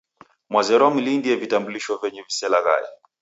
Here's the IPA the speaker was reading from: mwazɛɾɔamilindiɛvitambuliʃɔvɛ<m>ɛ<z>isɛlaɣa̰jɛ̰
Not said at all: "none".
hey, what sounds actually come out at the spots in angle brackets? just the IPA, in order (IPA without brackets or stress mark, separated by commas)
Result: ɲ, v